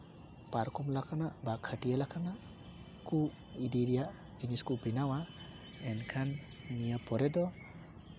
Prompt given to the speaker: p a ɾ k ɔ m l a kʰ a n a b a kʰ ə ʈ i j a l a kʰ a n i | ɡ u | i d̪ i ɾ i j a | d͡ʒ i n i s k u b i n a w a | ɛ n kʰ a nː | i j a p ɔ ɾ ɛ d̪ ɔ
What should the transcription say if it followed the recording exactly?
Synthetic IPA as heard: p a ɾ k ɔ m l a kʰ a n a b a kʰ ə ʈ i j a l a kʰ a n a | k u | i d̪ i ɾ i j a | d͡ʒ i n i s k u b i n a w a | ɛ n kʰ a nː | i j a p ɔ ɾ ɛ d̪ ɔ